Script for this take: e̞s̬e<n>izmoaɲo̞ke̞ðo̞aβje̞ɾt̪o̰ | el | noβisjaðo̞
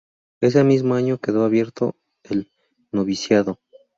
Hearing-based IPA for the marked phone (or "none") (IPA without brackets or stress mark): m